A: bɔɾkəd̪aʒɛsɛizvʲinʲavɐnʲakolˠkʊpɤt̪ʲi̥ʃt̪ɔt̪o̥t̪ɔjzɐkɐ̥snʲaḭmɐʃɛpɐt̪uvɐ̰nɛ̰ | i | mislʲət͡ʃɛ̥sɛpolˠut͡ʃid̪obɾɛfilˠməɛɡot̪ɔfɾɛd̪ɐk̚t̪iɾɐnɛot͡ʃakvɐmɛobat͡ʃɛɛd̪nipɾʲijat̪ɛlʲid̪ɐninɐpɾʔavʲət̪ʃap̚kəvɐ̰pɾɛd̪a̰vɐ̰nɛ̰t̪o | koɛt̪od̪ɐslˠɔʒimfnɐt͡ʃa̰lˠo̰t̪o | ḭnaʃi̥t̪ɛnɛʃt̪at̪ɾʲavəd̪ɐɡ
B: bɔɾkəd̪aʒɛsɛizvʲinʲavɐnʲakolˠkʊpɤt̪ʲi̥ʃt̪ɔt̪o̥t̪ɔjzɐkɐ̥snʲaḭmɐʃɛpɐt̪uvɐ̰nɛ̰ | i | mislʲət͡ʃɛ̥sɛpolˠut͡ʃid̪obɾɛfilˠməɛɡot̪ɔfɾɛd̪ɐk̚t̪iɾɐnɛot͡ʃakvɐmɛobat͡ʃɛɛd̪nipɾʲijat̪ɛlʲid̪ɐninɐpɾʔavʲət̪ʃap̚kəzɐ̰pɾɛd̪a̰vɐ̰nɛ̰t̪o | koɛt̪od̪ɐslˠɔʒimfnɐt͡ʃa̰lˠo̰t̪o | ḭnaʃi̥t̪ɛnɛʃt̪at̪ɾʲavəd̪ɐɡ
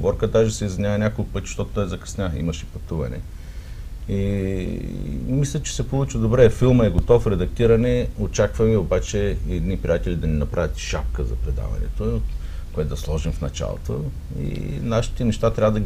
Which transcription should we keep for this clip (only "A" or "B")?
B